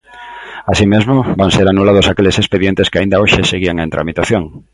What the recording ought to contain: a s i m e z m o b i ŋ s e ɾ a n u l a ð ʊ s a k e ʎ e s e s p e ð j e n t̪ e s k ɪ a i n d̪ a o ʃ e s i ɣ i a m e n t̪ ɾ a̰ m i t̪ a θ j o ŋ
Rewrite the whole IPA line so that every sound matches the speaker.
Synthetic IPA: a s i m e z m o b a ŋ s e ɾ a n u l a ð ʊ s a k e l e s e s p e ð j e n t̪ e s k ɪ a i n d̪ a o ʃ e s e ɣ i a ŋ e n t̪ ɾ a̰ m i t̪ a θ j o ŋ

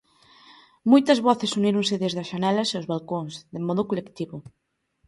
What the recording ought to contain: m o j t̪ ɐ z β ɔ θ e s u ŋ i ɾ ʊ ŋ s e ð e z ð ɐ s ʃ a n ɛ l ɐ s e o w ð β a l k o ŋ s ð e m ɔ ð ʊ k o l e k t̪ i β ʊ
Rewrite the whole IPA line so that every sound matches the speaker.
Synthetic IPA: m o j t̪ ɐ z β ɔ θ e s u n i ɾ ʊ ŋ s e ð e z ð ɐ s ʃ a n ɛ l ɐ s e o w z β a l k o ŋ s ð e m ɔ ð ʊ k o l e k t̪ i β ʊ

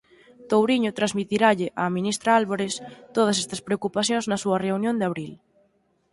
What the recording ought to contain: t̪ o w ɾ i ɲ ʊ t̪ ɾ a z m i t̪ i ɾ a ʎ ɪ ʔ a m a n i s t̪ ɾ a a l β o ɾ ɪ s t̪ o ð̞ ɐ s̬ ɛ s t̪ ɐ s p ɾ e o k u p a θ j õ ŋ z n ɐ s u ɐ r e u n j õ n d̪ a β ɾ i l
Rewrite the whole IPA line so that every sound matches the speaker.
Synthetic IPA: t̪ o w ɾ i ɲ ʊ t̪ ɾ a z m i t̪ i ɾ a ʎ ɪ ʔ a m i n i s t̪ ɾ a a l β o ɾ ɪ s t̪ o ð̞ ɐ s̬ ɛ s t̪ ɐ s p ɾ e o k u p a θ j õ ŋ z n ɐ s u ɐ r e u n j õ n d̪ a β ɾ i l

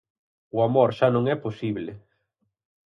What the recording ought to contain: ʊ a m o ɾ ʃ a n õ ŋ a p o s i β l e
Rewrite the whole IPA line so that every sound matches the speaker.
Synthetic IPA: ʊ a m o ɾ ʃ a n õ ŋ ɛ p o s i β l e

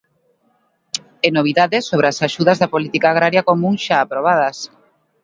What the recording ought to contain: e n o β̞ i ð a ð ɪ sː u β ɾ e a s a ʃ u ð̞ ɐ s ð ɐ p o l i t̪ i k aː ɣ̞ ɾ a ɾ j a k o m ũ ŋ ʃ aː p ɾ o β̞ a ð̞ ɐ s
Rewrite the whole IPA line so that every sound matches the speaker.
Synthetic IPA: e n o β̞ i ð a ð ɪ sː o β ɾ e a s a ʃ u ð̞ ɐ z ð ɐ p o l i t̪ i k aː ɣ̞ ɾ a ɾ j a k o m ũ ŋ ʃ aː p ɾ o β̞ a ð̞ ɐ s

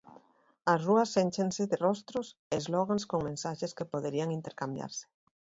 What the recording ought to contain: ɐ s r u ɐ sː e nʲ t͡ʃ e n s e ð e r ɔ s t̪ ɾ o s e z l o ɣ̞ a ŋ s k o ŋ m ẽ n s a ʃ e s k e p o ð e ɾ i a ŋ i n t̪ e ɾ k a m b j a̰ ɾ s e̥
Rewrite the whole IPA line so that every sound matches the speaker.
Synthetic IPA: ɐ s r u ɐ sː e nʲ t͡ʃ e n s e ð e r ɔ s t̪ ɾ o s e z l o ɣ̞ a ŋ s k o ŋ m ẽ n s a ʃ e s k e p o ð e ɾ i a ŋ i n t̪ e ɾ k a m b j a̰ ɾ s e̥

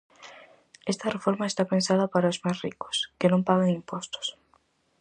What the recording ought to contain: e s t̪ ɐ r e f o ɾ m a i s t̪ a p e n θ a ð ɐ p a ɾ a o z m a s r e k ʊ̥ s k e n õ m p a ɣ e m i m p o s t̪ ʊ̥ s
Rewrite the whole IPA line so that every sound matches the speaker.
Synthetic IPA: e s t̪ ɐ r e f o ɾ m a e s t̪ a p e n s a ð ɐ p a ɾ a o z m a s r i k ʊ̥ s k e n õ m p a ɣ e ŋ i m p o s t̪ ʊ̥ s

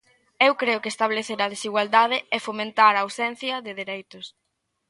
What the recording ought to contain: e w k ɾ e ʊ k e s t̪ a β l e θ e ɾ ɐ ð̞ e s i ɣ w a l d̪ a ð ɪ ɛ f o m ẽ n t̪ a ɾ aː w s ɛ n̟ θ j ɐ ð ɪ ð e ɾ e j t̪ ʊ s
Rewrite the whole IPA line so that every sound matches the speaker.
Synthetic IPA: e w k ɾ e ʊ k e s t̪ a β l e θ e ɾ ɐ ð̞ e s i ɣ w a l d̪ a ð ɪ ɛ f o m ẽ n t̪ a ɾ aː w s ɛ n̟ θ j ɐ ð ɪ ð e ɾ e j t̪ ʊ s

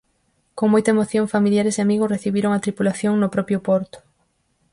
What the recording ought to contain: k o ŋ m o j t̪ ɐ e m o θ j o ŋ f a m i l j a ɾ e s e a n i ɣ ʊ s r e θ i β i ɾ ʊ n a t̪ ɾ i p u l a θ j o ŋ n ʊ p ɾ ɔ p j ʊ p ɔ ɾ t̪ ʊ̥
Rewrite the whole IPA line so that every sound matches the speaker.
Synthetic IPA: k o ŋ m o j t̪ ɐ e m o θ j o ŋ f a m i l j a ɾ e s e a m i ɣ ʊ s r e θ i β i ɾ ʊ ŋ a t̪ ɾ i p u l a θ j o ŋ n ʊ p ɾ ɔ p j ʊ p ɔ ɾ t̪ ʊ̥

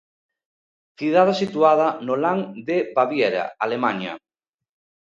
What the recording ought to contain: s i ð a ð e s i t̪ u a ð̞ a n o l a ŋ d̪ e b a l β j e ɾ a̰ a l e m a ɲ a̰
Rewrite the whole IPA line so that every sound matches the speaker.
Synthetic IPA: θ i ð a ð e s i t̪ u a ð̞ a n o l a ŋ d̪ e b a β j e ɾ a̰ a l e m a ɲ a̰

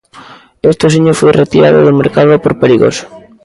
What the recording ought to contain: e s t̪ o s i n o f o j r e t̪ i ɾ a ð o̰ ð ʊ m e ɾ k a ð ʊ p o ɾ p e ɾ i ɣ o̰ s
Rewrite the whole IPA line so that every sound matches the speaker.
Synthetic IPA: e s t̪ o s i ɲ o f o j r e t̪ i ɾ a ð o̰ ð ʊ m e ɾ k a ð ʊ p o ɾ p e ɾ i ɣ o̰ s

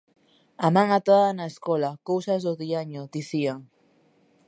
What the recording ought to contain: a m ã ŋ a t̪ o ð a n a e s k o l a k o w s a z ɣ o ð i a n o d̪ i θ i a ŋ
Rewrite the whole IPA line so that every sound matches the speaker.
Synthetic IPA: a m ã ŋ a t̪ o ð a n a e s k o l a k o w s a z ð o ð i a ɲ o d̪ i θ i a ŋ

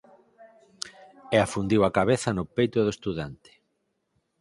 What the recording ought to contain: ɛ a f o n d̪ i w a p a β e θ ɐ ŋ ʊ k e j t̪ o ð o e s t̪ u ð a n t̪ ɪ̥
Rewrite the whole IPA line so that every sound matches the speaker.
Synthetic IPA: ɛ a f u n d̪ i w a k a β e θ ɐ n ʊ p e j t̪ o ð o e s t̪ u ð a n t̪ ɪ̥

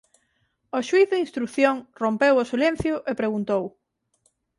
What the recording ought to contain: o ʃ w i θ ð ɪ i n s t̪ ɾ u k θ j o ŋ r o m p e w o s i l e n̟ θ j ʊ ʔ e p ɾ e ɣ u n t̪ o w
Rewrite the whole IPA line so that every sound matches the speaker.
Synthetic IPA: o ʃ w i θ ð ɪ i n s t̪ ɾ u k θ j o ŋ r o m p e w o s i l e n̟ θ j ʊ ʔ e p ɾ e ɣ u n t̪ o w

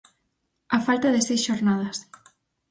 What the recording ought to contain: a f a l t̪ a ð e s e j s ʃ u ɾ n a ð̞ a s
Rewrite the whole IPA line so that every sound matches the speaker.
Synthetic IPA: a f a l t̪ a ð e s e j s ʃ o ɾ n a ð̞ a s

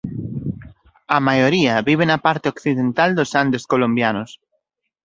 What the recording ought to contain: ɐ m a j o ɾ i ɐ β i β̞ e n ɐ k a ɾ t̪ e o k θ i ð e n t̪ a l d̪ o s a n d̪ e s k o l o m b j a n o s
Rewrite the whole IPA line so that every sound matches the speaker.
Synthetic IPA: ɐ m a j o ɾ i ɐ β i β̞ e n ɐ p a ɾ t̪ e o k θ i ð e n t̪ a l d̪ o s a n d̪ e s k o l o m b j a n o s

